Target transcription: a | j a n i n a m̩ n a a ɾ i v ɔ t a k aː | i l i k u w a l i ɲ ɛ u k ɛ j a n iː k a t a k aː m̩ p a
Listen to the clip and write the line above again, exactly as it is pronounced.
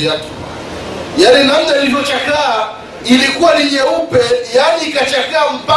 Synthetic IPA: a | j a n i n a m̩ n a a l i v ɔ t͡ʃ a k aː | i l i k u w a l i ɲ ɛ u p ɛ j a n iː k a t͡ʃ a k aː m̩ p a